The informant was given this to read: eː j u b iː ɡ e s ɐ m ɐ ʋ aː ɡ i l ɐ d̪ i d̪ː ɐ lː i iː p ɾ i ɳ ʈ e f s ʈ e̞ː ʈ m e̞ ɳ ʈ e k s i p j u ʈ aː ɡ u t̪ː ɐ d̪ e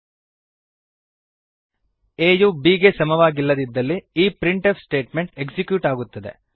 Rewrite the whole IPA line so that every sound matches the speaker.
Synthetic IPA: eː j u b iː ɡ e s ɐ m ɐ ʋ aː ɡ i lː ɐ d̪ i d̪ː ɐ lː i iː p ɾ i ɳ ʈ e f s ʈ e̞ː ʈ m e̞ ɳ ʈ e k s i k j u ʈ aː ɡ u t̪ː ɐ d̪ e